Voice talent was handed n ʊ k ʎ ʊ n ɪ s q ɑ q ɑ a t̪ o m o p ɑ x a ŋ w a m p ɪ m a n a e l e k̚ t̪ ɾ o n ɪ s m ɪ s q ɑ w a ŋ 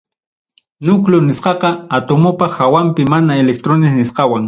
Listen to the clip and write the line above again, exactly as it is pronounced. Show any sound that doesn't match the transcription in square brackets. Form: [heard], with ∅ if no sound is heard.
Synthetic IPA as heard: n ʊ k [l] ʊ n ɪ s q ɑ q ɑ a t̪ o m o p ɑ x a [∅] w a m p ɪ m a n a e l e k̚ t̪ ɾ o n ɪ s [n] ɪ s q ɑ w a ŋ